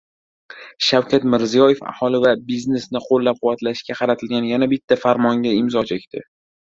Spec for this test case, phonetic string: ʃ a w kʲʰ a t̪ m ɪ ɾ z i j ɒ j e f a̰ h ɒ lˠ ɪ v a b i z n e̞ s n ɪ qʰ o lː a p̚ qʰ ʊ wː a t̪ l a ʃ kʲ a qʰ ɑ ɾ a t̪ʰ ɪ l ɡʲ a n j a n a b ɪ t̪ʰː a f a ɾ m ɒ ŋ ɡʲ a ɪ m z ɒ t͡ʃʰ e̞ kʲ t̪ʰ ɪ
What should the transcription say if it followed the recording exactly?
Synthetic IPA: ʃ a w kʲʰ a t̪ m ɪ ɾ z i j ɒ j e f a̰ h ɒ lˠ ɪ v a b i z n e̞ s n ɪ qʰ o lː a p̚ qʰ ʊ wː a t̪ l a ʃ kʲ a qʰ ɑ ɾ a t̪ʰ ɪ l ɡʲ a n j a n a b ɪ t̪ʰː a f a ɾ m ɒ ŋ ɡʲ a ɪ m z ɒ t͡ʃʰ e̞ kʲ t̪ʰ ɪ